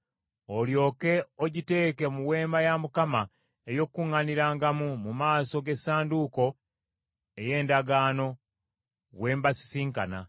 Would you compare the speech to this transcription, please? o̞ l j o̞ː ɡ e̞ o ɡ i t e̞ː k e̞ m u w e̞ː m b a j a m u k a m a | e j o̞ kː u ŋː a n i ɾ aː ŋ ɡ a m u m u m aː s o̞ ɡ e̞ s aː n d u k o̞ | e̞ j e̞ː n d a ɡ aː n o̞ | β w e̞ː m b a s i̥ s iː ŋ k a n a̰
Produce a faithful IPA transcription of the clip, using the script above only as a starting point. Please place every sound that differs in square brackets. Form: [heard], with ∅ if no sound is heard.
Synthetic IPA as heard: o̞ l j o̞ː [k] e̞ o [ɟ] i t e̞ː k e̞ m u w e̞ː m b a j a m u k a m a | e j o̞ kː u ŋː a n i ɾ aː ŋ ɡ a m u m u m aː s o̞ ɡ e̞ s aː n d u k o̞ | e̞ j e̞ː n d a ɡ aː n o̞ | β w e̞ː m b a s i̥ s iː ŋ k a n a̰